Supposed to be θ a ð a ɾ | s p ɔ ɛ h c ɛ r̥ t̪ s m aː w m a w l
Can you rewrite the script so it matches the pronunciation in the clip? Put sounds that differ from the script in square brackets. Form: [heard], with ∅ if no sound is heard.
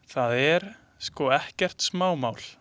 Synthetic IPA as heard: θ a ð [ɛ] ɾ | s [k] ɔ ɛ h c ɛ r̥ t̪ s m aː w m a w l